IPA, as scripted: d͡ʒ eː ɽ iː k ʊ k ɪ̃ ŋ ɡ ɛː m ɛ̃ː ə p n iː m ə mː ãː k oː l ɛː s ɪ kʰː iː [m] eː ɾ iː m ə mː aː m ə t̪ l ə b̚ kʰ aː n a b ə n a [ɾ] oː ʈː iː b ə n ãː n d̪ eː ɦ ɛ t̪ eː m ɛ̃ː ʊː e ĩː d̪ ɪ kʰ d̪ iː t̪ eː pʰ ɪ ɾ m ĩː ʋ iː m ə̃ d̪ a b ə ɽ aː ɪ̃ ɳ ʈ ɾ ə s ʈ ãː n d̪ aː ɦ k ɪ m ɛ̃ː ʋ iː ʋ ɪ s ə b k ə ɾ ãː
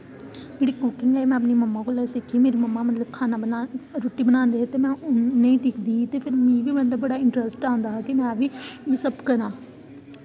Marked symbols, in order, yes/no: yes, yes

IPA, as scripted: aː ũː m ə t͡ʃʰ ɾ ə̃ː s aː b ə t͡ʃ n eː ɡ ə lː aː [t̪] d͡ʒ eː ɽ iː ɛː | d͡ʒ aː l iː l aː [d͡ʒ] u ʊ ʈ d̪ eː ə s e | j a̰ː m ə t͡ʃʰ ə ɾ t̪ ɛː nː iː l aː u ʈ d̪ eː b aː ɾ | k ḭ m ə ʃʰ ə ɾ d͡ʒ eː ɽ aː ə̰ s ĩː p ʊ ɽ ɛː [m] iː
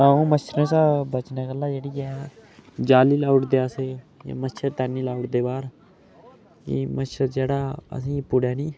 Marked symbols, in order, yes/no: no, no, no

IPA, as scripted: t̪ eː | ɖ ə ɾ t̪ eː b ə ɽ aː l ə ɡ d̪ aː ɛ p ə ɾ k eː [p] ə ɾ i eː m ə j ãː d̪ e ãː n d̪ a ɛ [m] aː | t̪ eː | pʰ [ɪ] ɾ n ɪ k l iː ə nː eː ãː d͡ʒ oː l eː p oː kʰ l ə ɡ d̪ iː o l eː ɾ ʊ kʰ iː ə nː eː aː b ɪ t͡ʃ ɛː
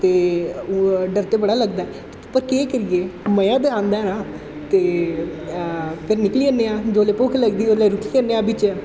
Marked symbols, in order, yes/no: no, no, yes

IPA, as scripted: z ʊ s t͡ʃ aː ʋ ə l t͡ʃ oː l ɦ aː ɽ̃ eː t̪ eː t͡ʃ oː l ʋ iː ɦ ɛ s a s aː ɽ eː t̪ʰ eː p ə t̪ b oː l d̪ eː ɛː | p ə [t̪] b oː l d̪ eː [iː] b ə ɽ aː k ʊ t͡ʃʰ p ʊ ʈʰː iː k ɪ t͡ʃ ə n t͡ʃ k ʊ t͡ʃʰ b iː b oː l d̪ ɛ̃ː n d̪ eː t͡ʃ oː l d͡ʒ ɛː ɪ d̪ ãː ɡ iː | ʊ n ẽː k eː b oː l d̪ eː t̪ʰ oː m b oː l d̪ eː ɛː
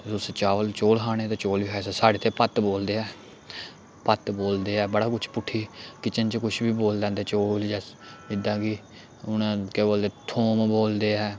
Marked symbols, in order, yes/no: yes, no

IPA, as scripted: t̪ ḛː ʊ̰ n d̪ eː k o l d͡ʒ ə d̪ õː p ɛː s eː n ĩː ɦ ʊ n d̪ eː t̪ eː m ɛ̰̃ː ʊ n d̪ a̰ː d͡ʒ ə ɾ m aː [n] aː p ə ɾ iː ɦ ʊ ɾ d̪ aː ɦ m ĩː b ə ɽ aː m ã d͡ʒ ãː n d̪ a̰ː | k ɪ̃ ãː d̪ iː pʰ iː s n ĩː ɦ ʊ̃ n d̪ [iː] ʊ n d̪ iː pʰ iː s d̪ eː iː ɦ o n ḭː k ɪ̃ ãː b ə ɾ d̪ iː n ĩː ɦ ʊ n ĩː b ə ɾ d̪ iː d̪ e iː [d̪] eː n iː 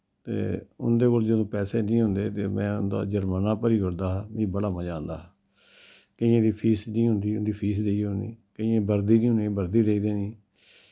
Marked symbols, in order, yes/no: yes, yes, yes

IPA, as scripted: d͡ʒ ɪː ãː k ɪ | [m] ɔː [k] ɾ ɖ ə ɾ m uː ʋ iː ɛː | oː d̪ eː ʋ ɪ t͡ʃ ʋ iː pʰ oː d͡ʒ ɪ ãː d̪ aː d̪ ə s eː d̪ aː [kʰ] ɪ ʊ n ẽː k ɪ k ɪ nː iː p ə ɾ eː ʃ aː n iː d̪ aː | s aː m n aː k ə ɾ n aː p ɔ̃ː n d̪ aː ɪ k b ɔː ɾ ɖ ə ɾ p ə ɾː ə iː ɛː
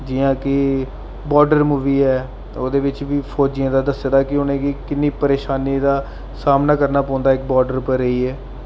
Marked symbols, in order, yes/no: no, no, no

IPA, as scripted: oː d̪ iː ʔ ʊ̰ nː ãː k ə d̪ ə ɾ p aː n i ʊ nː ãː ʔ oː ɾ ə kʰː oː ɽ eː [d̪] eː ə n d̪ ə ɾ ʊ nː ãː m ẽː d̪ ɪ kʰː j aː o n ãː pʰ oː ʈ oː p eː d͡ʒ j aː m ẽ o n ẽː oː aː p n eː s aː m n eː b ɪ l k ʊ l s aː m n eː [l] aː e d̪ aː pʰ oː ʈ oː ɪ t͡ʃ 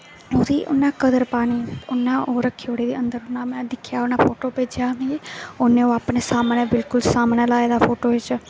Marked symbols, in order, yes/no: yes, yes

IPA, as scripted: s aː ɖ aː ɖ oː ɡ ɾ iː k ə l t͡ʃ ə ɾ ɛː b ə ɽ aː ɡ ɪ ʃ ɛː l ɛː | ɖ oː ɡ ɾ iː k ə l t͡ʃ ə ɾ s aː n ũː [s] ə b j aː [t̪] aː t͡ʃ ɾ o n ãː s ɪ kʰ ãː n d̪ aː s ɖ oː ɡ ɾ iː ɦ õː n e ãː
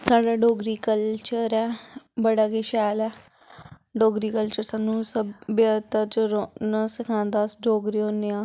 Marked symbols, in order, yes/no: yes, yes

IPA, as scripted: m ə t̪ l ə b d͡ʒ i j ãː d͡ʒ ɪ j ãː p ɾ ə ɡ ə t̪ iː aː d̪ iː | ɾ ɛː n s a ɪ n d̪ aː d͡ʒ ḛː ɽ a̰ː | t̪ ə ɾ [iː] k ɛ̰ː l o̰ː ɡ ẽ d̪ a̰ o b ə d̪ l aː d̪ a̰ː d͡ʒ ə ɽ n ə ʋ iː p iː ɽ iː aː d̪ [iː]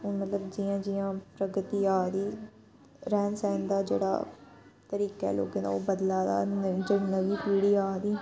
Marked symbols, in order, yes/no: yes, yes

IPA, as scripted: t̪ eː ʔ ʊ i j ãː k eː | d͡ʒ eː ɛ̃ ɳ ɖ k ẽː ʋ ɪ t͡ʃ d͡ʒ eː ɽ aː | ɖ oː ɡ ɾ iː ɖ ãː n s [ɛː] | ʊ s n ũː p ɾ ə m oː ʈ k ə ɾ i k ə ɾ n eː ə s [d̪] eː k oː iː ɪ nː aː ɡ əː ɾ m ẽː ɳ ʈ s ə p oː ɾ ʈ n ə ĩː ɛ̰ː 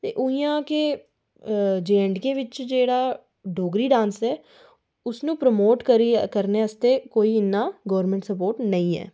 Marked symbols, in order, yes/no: yes, no

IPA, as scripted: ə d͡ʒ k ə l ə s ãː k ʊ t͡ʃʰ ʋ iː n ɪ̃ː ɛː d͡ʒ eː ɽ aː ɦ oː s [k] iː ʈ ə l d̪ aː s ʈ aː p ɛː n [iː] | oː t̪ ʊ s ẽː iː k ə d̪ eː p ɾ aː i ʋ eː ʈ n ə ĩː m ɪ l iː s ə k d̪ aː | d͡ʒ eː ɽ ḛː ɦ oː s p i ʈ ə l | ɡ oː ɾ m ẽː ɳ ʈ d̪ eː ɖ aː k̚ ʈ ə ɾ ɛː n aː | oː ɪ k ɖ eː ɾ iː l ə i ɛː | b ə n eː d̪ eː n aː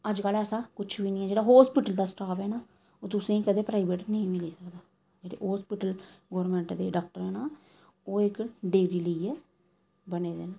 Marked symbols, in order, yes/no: no, no

